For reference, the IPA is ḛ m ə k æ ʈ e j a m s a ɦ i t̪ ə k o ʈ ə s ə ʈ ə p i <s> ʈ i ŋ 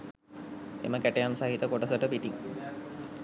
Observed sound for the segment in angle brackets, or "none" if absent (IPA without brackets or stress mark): none